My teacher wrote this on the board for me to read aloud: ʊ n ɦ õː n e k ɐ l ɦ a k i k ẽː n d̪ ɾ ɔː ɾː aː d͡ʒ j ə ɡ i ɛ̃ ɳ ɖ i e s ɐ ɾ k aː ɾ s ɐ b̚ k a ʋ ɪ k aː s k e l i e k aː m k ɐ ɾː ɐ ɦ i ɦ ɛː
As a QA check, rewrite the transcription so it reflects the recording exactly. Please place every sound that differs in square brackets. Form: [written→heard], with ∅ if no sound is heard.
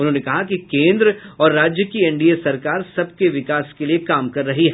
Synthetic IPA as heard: ʊ n ɦ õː n e k ɐ [l→∅] ɦ a k i k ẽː n d̪ ɾ ɔː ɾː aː d͡ʒ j ə [ɡ→k] i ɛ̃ ɳ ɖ i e s ɐ ɾ k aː ɾ s ɐ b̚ k [a→e] ʋ ɪ k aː s k e l i e k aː m k ɐ ɾː ɐ ɦ i ɦ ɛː